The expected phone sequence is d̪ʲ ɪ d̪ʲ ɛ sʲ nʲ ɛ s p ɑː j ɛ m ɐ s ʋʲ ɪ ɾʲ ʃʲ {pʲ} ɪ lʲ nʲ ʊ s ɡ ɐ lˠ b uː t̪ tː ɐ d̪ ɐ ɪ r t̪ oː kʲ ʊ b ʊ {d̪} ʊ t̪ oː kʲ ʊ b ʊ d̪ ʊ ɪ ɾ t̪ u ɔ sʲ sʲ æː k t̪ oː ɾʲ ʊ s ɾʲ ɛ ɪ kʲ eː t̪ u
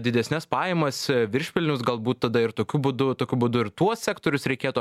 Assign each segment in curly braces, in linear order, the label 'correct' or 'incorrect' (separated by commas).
correct, correct